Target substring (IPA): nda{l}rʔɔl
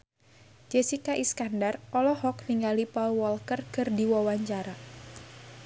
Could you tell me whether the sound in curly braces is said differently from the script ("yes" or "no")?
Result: yes